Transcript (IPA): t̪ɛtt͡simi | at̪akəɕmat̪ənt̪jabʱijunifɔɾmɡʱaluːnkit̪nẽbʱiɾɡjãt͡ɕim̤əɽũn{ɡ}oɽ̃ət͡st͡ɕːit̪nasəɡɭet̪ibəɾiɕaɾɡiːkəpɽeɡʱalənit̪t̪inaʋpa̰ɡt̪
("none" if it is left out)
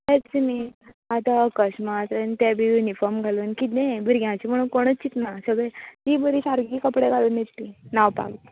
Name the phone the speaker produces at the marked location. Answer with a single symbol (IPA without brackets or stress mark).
k